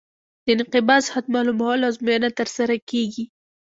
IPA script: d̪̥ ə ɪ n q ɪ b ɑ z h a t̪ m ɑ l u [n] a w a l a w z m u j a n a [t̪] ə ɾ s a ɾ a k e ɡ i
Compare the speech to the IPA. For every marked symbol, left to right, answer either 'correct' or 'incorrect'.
incorrect, correct

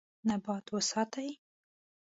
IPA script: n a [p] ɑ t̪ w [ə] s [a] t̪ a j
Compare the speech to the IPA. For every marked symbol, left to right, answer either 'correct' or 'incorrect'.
incorrect, correct, incorrect

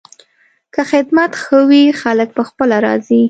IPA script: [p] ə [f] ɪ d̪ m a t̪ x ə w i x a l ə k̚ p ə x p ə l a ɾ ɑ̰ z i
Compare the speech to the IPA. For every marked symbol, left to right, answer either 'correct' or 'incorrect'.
incorrect, incorrect

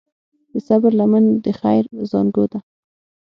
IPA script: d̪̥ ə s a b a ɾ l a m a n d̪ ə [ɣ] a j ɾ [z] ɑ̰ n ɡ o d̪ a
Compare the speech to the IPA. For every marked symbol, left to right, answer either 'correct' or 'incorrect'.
incorrect, correct

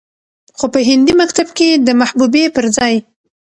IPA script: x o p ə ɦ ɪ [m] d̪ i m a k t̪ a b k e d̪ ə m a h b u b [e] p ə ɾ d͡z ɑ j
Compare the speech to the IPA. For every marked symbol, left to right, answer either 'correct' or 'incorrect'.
incorrect, correct

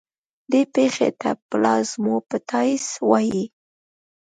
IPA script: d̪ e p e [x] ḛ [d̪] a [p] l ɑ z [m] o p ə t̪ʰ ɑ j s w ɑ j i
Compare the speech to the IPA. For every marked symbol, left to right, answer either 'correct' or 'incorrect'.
correct, incorrect, correct, correct

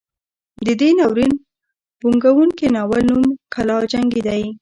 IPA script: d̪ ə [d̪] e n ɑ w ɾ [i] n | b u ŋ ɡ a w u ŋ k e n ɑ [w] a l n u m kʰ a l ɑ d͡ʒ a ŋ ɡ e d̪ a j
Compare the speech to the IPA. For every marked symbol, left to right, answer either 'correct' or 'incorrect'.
correct, correct, correct

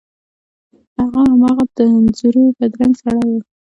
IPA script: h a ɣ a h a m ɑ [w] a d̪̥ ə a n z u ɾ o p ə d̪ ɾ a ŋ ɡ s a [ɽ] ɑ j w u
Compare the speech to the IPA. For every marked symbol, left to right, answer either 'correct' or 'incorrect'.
incorrect, correct

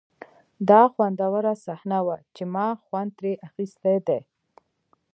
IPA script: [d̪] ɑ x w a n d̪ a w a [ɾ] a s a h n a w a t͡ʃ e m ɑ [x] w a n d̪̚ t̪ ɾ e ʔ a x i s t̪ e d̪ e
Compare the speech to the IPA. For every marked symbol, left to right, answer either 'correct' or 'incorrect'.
correct, correct, correct

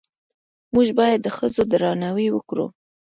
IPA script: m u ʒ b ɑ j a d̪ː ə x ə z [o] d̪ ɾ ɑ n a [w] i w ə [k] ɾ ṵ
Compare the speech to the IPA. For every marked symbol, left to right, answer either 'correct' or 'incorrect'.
correct, correct, correct

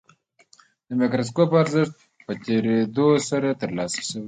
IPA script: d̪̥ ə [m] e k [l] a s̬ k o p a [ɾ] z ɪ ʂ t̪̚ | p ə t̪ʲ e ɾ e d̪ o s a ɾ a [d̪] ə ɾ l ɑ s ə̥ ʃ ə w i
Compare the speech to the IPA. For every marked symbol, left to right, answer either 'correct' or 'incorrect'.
correct, incorrect, correct, incorrect

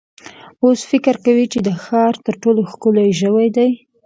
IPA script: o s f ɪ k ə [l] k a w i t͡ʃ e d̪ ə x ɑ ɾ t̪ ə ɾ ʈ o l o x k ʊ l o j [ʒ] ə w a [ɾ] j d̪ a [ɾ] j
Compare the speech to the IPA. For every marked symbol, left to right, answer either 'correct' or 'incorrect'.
incorrect, correct, incorrect, incorrect

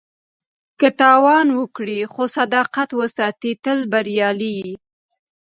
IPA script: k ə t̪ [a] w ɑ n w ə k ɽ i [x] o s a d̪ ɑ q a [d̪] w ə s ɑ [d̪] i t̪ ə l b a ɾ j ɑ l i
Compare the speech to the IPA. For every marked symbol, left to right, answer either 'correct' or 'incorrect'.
incorrect, correct, incorrect, incorrect

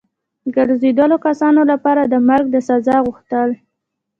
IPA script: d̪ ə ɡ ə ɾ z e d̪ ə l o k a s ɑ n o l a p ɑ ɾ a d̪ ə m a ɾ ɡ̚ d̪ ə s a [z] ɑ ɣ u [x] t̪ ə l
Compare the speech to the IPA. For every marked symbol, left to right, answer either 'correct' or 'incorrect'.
correct, correct

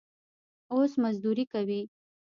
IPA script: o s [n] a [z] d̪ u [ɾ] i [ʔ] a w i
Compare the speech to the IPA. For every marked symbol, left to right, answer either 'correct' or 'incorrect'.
incorrect, correct, correct, incorrect

